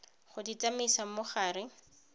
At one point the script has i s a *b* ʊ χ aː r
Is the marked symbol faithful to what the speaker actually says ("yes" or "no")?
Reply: no